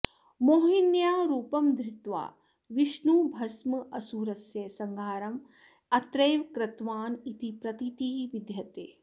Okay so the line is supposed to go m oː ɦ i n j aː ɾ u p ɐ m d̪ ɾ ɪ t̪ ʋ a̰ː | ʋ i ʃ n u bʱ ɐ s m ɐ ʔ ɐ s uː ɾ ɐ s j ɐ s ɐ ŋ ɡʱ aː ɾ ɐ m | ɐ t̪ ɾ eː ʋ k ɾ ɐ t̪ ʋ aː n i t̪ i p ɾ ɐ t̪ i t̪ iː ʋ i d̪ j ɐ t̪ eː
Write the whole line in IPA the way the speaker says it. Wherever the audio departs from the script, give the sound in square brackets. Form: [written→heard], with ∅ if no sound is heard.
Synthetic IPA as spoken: m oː ɦ i n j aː ɾ [u→uː] p ɐ m d̪ ɾ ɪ t̪ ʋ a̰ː | ʋ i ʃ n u bʱ ɐ s m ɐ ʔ ɐ s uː ɾ ɐ s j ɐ s ɐ ŋ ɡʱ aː ɾ ɐ m | ɐ t̪ ɾ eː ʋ k ɾ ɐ t̪ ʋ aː n i t̪ i p ɾ ɐ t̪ i t̪ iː ʋ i d̪ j ɐ t̪ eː